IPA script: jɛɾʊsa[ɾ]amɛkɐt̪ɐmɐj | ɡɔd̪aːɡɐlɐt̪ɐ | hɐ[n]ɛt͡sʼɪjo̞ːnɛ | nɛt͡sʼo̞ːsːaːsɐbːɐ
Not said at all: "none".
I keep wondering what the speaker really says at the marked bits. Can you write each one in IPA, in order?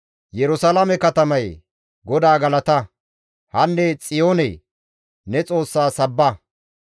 l, nː

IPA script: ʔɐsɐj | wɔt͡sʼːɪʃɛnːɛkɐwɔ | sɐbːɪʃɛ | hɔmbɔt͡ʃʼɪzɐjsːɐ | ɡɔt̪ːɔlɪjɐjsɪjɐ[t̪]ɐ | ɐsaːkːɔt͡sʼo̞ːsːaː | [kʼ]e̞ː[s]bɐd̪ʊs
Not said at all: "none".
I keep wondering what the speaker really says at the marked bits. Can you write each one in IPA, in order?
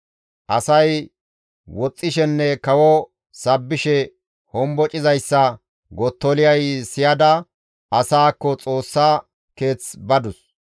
d̪, k, t͡s

